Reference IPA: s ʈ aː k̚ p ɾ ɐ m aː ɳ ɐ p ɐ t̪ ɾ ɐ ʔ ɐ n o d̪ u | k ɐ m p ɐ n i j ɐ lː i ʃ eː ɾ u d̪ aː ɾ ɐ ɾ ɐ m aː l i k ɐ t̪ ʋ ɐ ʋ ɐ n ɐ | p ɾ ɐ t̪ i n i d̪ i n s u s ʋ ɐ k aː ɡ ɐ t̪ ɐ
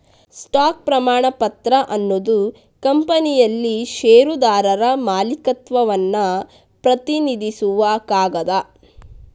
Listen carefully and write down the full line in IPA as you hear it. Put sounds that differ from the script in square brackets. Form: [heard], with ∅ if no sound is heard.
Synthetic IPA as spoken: s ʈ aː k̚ p ɾ ɐ m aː ɳ ɐ p ɐ t̪ ɾ ɐ ʔ ɐ [nː] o d̪ u | k ɐ m p ɐ n i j ɐ lː i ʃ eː ɾ u d̪ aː ɾ ɐ ɾ ɐ m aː l i k ɐ t̪ ʋ ɐ ʋ ɐ [nː] ɐ | p ɾ ɐ t̪ i n i d̪ i [∅] s u [∅] ʋ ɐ k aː ɡ ɐ [d̪] ɐ

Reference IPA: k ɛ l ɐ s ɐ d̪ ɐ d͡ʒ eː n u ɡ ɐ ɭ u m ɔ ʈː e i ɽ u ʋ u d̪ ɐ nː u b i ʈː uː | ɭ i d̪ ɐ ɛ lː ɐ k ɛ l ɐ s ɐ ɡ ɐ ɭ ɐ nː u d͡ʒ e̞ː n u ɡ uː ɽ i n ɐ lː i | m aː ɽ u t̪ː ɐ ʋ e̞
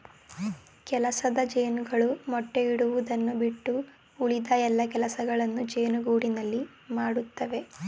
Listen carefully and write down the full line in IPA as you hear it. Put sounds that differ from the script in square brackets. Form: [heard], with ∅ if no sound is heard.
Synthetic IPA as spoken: k ɛ l ɐ s ɐ d̪ ɐ d͡ʒ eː n u ɡ ɐ ɭ u m ɔ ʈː e i ɽ u ʋ u d̪ ɐ nː u b i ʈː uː | ɭ i d̪ ɐ ɛ lː ɐ k ɛ l ɐ s ɐ ɡ ɐ ɭ ɐ nː u d͡ʒ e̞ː n u ɡ uː ɽ i n ɐ lː i | m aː ɽ u t̪ː ɐ ʋ e̞

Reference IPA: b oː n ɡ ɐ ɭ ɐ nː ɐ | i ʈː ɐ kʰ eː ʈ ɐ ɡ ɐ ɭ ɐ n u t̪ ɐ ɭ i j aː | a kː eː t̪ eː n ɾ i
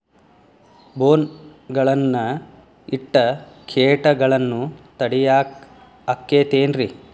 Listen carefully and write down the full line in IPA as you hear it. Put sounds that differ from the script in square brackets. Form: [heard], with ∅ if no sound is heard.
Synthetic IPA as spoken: b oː n ɡ ɐ ɭ ɐ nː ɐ | i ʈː ɐ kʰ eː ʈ ɐ ɡ ɐ ɭ ɐ [nː] u t̪ ɐ [ɽ] i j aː | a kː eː t̪ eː n ɾ i

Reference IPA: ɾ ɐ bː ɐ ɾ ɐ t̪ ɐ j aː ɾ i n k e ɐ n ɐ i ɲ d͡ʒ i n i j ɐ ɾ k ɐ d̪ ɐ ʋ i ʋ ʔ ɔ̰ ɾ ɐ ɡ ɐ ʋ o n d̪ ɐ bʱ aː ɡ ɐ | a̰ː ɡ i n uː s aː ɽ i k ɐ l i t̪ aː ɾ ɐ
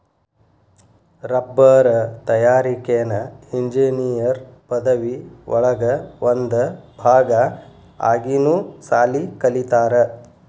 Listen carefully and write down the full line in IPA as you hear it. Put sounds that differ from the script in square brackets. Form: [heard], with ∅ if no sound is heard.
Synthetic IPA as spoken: ɾ ɐ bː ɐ ɾ ɐ t̪ ɐ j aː ɾ i [∅] k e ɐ n ɐ i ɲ d͡ʒ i n i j ɐ ɾ [p] ɐ d̪ ɐ ʋ i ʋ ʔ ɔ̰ [ɭ] ɐ ɡ ɐ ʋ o n d̪ ɐ bʱ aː ɡ ɐ | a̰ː ɡ i n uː s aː [l] i k ɐ l i t̪ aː ɾ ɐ

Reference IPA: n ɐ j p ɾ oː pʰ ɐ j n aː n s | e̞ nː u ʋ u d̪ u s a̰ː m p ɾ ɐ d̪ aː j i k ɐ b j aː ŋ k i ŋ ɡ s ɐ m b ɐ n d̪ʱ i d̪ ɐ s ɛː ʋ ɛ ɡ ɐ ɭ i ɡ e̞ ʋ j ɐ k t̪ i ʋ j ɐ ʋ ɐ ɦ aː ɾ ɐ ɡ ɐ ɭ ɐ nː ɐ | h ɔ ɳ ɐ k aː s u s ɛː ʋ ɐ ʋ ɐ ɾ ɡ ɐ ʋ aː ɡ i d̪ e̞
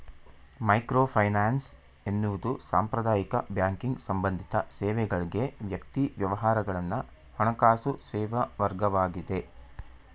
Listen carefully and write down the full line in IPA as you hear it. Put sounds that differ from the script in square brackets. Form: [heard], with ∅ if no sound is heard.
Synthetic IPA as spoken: [m] ɐ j [k] ɾ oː pʰ ɐ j n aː n s | e̞ nː u ʋ u d̪ u s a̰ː m p ɾ ɐ d̪ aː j i k ɐ b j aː ŋ k i ŋ ɡ s ɐ m b ɐ n d̪ʱ i [t̪] ɐ s ɛː ʋ ɛ ɡ ɐ ɭ i ɡ e̞ ʋ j ɐ k t̪ i ʋ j ɐ ʋ ɐ ɦ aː ɾ ɐ ɡ ɐ ɭ ɐ nː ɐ | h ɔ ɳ ɐ k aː s u s ɛː ʋ ɐ ʋ ɐ ɾ ɡ ɐ ʋ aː ɡ i d̪ e̞

